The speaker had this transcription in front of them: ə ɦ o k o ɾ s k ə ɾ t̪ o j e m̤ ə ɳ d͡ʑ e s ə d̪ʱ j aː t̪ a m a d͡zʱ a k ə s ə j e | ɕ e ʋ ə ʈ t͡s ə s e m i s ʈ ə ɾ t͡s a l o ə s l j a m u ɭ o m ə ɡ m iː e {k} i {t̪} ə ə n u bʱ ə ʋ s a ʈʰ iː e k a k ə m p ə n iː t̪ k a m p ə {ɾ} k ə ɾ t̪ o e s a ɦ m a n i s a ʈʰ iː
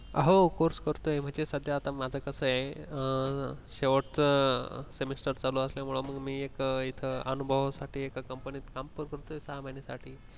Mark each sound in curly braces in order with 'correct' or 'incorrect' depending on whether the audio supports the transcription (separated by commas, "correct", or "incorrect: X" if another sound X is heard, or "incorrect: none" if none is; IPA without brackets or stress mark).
correct, incorrect: t̪ʰ, correct